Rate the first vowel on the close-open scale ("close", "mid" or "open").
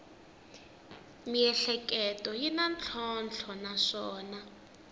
close